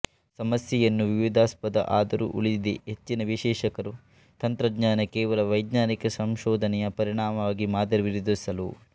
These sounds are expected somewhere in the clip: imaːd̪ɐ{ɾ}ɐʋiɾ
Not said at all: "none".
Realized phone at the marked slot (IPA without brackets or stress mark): ɾ